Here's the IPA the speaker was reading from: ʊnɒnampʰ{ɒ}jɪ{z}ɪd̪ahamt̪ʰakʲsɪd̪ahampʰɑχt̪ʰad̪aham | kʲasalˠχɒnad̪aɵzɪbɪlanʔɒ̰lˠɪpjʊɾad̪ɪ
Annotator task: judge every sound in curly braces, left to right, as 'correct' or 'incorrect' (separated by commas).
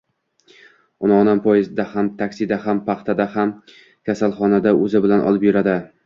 correct, correct